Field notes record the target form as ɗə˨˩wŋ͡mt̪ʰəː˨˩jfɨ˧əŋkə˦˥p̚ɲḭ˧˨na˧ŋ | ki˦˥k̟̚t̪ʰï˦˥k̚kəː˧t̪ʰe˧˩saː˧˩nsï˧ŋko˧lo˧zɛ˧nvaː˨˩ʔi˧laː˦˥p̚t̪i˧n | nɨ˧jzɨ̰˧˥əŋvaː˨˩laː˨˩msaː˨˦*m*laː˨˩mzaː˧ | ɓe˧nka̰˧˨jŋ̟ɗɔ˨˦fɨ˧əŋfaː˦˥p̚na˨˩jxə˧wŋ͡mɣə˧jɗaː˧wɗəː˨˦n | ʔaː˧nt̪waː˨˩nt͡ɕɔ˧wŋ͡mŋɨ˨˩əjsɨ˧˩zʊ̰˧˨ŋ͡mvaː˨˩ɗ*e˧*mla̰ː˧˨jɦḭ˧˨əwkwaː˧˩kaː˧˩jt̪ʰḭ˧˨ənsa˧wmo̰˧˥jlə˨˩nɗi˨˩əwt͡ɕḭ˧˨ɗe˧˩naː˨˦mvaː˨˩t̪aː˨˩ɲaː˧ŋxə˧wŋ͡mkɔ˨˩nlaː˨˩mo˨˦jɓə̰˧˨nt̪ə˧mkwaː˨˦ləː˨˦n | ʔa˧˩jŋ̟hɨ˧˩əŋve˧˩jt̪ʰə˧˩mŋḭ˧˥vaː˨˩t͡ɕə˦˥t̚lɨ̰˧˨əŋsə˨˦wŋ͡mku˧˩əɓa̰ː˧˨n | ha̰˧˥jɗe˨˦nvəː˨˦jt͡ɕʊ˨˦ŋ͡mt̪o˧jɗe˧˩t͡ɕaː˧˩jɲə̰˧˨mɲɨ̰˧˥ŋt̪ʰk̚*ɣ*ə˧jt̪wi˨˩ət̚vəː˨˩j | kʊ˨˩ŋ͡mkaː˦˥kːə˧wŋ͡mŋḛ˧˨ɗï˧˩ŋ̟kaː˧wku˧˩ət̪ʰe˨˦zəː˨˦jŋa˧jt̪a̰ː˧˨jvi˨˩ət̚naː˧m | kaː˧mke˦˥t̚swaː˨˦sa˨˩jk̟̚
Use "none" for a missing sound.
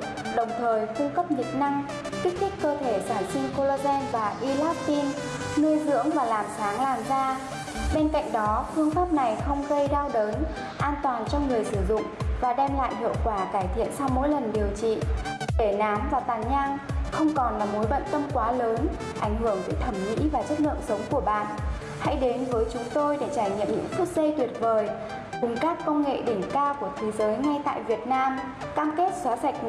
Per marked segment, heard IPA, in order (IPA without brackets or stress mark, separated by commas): ŋ, ɛ˧, z